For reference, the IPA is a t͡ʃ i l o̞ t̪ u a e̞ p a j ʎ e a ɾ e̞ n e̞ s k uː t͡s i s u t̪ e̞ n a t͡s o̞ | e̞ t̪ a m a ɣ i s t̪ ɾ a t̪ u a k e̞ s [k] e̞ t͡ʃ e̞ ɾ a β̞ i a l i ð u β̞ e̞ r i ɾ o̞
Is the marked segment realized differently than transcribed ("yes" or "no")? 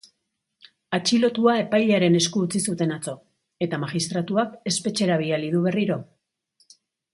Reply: yes